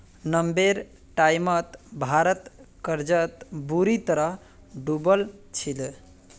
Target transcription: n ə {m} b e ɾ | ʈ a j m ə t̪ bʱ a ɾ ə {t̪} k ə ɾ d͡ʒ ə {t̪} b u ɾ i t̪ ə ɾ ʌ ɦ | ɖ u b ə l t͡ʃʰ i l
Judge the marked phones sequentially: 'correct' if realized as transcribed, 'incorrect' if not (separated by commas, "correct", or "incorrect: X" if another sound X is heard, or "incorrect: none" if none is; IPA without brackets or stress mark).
correct, correct, correct